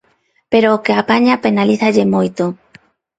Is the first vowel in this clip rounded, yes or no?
no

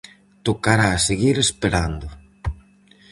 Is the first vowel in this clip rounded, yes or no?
yes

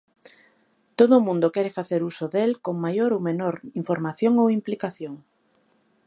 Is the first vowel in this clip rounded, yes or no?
yes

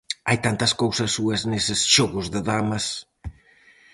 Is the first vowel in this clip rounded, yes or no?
no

